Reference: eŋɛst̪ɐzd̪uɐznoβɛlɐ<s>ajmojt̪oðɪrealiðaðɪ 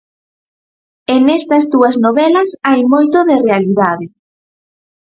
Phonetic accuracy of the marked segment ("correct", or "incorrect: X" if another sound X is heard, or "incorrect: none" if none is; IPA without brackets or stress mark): correct